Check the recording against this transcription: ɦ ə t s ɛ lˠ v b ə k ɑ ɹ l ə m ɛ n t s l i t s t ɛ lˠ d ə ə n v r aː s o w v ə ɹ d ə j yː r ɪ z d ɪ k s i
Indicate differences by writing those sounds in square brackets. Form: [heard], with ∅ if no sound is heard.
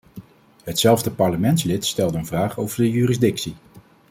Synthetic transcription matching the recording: ɦ ə t s ɛ lˠ v [d] ə [p] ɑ ɹ l ə m ɛ n t s l [ɪ] t s t ɛ lˠ d ə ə n v r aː [χ] o w v ə ɹ d ə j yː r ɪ z d ɪ k s i

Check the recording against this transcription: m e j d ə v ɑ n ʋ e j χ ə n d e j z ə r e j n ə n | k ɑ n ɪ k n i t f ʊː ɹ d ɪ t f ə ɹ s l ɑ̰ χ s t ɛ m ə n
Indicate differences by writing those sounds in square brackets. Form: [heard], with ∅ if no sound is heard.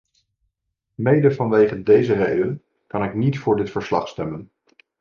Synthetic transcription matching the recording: m e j d ə v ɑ n ʋ e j χ ə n d e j z ə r e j [d] ə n | k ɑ n ɪ k n i t f ʊː ɹ d ɪ t f ə ɹ s l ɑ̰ χ s t ɛ m ə n

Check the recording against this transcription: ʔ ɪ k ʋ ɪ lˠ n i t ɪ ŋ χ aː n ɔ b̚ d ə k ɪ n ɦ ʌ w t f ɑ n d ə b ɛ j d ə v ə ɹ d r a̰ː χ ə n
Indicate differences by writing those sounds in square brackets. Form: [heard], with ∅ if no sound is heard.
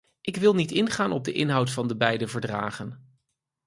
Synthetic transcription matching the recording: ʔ ɪ k ʋ ɪ lˠ n i t ɪ [n] χ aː n ɔ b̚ d ə [ʔ] ɪ n ɦ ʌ w t f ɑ n d ə b ɛ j d ə v ə ɹ d r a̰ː χ ə n

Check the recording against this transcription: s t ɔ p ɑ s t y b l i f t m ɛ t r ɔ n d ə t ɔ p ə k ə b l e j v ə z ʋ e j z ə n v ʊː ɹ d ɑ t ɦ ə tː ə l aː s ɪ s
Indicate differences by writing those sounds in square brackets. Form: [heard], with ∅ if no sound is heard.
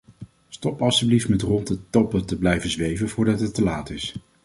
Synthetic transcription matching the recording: s t ɔ p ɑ s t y b l i f t m ɛ t r ɔ n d ə t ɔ p ə [t] ə b l [ɛ] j v ə z ʋ e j [v] ə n v ʊː ɹ d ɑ t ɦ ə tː ə l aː [t] ɪ s

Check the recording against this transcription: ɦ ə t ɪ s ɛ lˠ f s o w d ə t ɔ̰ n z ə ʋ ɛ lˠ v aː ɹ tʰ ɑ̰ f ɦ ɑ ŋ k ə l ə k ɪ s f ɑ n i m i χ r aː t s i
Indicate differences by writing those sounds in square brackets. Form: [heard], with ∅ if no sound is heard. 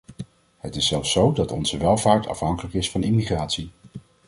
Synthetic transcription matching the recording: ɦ ə t ɪ s ɛ lˠ f s o w d [ɑ] t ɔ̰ n z ə ʋ ɛ lˠ v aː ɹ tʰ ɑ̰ f ɦ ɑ ŋ k ə l ə k ɪ s f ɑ n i m i χ r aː t s i

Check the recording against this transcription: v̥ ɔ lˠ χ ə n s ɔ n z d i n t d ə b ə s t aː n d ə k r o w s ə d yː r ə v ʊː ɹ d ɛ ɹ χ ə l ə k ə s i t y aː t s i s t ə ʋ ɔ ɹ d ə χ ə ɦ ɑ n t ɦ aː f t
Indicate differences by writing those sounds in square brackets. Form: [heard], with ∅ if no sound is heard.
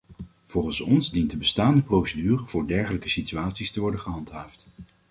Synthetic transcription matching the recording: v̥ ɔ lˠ χ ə n s ɔ n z d i n t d ə b ə s t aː n d ə [p] r o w s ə d yː r ə v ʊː ɹ d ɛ ɹ χ ə l ə k ə s i t y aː t s i s t ə ʋ ɔ ɹ d ə χ ə ɦ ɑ n t ɦ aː f t

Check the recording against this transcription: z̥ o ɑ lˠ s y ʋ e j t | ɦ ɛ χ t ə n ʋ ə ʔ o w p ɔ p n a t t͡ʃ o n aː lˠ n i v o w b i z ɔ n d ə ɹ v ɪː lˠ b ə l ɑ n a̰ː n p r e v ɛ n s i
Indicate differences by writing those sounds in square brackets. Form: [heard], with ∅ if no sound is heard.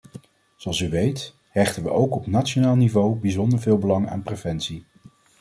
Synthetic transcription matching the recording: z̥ o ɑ lˠ s y ʋ e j t | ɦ ɛ χ t ə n ʋ ə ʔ o w [k] ɔ p n a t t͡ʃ o n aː lˠ n i v o w b i z ɔ n d ə ɹ v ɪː lˠ b ə l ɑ [ŋ] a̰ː n p r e v ɛ n s i

